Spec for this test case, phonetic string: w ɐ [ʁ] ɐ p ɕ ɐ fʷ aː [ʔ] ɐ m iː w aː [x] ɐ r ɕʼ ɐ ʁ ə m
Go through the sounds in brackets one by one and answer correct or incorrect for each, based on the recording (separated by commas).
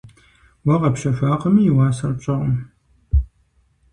correct, incorrect, incorrect